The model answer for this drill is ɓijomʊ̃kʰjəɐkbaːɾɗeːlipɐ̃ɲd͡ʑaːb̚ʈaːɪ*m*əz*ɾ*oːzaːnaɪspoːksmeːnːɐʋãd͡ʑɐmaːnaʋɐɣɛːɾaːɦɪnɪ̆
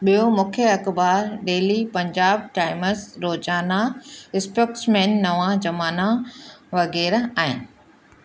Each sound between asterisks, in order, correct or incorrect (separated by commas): correct, correct